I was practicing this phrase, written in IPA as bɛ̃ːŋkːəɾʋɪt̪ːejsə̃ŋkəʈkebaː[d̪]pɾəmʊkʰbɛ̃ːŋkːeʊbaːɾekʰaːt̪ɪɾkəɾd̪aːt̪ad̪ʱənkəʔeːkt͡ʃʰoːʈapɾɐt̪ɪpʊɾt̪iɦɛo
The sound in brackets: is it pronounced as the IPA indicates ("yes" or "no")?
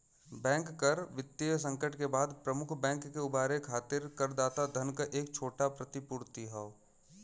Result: yes